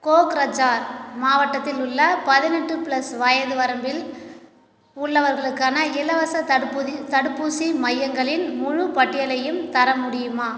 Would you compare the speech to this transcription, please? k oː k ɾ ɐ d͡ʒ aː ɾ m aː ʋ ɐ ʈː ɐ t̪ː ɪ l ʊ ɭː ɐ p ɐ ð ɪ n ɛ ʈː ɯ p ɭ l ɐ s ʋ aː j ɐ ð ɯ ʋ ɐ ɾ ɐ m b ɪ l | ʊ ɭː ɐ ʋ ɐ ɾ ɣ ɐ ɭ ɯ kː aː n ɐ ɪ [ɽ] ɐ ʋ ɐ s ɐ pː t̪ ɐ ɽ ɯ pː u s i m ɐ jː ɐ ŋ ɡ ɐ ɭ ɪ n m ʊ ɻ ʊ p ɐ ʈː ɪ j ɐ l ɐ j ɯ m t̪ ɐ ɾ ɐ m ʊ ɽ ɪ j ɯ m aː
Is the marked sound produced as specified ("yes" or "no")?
no